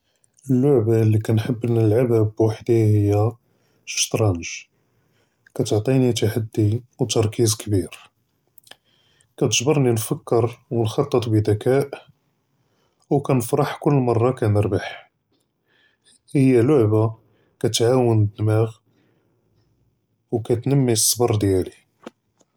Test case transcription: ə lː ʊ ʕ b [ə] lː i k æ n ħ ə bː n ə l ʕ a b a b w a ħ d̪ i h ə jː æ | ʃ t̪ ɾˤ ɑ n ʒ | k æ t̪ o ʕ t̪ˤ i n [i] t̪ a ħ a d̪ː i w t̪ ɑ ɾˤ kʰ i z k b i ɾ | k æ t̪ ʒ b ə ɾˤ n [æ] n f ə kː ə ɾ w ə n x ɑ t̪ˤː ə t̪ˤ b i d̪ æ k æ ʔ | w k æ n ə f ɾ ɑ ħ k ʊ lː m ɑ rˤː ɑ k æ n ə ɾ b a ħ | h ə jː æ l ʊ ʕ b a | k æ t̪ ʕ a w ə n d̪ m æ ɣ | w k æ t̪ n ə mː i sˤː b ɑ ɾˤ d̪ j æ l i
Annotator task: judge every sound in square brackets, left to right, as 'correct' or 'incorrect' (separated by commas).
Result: incorrect, correct, incorrect